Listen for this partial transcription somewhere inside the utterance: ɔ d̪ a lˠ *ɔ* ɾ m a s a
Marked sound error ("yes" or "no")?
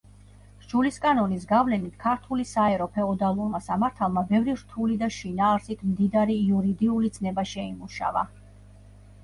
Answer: yes